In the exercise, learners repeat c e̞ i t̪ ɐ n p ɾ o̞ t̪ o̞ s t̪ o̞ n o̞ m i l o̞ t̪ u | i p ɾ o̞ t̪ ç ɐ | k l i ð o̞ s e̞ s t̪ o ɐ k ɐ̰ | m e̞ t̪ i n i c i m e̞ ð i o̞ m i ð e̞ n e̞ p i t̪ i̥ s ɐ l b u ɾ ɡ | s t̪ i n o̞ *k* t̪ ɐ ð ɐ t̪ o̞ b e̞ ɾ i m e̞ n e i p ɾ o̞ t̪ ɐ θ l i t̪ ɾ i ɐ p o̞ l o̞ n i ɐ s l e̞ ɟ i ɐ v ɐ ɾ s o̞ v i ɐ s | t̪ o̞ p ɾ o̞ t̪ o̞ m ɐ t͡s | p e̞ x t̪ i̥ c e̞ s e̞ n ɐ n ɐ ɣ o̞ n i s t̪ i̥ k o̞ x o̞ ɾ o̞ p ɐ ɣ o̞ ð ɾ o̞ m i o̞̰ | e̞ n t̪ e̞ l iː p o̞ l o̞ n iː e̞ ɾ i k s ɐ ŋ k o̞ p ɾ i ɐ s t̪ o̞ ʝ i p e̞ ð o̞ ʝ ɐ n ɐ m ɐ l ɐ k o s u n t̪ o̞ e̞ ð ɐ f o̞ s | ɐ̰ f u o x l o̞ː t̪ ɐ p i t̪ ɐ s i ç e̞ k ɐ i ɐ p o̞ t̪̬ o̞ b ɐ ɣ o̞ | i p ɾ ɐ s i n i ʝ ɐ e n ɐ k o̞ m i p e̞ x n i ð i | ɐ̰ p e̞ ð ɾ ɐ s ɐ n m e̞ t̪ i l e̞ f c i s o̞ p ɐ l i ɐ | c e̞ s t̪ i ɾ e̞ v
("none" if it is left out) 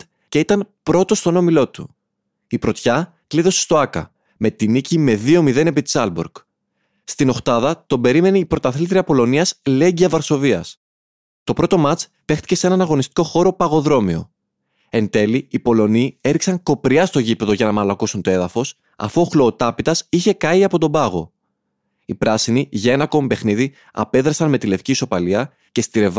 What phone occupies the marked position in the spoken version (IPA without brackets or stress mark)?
x